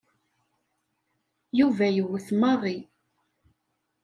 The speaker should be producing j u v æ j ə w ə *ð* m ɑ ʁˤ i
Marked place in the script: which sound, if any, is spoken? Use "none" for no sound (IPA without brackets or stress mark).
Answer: θ